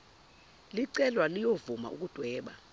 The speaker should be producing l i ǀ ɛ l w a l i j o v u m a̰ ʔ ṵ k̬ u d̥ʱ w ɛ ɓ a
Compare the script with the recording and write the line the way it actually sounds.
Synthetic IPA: l i ǀ ɛ l w a l i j o v u m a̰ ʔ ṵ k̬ u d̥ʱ w ɛː ɓ a